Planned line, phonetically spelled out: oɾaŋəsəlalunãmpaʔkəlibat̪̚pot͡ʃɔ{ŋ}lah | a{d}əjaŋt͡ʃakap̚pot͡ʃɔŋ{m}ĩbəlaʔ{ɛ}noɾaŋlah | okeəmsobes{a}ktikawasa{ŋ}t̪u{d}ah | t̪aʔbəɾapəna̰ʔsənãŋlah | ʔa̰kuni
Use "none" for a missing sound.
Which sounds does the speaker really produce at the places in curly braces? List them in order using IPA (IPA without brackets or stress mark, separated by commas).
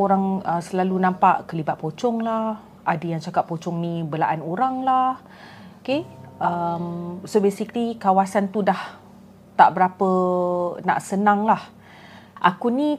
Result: ŋ, d, n, a, i, n, d